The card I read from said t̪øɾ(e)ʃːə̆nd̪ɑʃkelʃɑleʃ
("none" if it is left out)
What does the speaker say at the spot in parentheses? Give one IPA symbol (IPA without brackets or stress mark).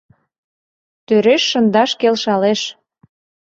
e